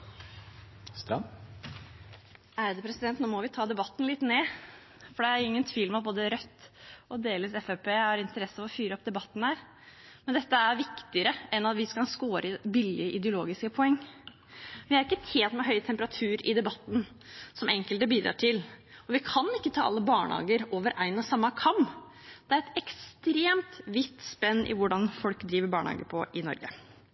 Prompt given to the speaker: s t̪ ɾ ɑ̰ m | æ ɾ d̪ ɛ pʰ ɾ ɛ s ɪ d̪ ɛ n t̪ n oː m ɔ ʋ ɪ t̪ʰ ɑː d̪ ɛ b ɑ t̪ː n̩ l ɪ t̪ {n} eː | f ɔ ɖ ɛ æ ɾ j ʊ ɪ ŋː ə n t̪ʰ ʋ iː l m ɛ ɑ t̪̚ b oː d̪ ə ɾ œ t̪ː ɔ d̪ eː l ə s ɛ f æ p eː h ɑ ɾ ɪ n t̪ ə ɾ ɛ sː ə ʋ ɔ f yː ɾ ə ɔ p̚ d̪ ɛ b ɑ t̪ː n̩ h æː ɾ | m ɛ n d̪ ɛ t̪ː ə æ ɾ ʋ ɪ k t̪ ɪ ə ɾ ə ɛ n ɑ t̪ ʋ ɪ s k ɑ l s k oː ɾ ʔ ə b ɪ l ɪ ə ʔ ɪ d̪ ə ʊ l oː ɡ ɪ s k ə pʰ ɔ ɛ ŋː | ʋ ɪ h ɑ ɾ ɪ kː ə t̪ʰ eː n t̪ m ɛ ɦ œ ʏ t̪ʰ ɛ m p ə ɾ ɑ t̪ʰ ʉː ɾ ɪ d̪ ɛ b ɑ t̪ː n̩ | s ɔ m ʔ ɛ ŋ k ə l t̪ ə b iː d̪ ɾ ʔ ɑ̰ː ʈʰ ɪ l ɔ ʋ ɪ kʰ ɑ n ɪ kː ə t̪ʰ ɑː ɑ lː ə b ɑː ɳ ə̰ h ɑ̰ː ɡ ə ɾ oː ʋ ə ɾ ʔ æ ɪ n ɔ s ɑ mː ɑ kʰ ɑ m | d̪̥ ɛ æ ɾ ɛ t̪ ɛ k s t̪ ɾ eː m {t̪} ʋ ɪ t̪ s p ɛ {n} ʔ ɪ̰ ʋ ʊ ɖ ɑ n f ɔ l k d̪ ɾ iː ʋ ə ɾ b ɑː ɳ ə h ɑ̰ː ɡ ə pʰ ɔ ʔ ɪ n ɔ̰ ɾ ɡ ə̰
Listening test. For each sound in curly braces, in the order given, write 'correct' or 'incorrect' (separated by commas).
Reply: correct, correct, incorrect